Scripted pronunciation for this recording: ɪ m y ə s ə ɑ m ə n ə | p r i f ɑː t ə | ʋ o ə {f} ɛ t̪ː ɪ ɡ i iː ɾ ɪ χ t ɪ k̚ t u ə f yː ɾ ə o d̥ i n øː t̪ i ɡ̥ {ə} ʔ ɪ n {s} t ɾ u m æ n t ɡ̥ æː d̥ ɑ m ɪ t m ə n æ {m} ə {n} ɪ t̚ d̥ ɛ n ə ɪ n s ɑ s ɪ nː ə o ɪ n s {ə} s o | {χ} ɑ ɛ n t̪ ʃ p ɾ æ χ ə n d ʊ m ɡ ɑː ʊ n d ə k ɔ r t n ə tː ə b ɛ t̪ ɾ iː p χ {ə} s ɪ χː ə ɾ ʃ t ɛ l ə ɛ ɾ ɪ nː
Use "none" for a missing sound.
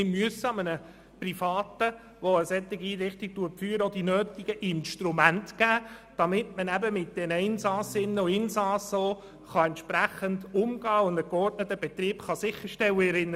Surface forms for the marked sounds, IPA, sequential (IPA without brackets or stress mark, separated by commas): s, ə, ʃ, b, m, ɑ, χ, ɑ